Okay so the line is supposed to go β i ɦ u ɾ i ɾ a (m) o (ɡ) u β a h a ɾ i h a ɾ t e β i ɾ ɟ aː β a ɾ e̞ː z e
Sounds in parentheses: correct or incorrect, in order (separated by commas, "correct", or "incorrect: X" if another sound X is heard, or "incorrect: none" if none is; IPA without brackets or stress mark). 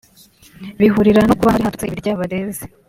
incorrect: n, incorrect: k